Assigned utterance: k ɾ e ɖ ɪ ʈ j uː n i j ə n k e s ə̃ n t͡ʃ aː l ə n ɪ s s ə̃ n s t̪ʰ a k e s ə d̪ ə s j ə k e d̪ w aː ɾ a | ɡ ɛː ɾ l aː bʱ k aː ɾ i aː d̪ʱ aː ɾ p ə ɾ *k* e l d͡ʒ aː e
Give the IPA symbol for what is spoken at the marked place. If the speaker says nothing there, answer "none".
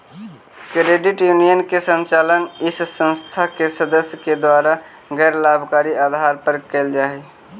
k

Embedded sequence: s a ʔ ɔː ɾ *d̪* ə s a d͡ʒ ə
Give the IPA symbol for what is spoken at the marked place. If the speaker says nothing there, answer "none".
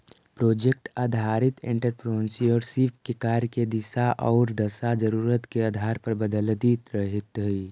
d̪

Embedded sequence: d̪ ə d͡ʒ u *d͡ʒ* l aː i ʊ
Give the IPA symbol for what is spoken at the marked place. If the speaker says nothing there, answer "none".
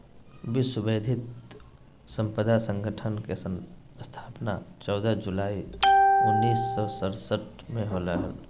none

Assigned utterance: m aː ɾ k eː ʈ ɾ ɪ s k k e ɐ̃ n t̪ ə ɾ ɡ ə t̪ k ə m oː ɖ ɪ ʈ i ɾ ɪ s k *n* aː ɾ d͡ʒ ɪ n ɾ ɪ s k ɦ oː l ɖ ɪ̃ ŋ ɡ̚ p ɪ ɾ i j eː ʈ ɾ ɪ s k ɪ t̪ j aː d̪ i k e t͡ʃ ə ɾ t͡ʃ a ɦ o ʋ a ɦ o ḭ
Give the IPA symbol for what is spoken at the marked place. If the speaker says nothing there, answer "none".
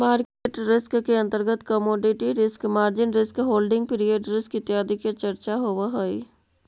m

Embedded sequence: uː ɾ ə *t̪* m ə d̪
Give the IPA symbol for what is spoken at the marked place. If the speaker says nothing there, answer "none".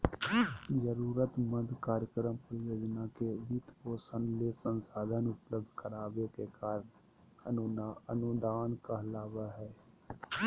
t̪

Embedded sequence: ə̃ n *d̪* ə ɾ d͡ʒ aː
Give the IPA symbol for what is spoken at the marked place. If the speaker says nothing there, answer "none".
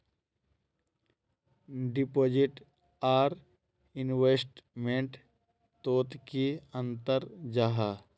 t̪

